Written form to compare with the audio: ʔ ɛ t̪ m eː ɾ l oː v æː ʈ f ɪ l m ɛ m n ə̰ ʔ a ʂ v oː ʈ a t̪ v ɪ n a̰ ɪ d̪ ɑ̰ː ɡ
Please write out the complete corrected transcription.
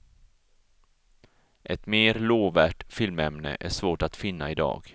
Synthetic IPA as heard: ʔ ɛ t̪ m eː ɾ l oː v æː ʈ f ɪ l m ɛ m n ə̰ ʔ æ ʂ v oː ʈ a t̪ f ɪ nː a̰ ɪ d̪ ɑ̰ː ɡ